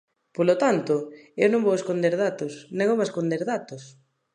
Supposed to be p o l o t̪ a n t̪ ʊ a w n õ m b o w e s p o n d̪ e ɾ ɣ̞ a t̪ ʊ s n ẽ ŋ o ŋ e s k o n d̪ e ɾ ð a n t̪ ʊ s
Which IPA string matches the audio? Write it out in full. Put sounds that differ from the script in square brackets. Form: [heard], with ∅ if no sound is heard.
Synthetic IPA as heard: p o l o t̪ a n t̪ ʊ [e] w n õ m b o w e s [k] o n d̪ e ɾ [ð̞] a t̪ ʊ s n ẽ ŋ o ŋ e s k o n d̪ e ɾ ð a [∅] t̪ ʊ s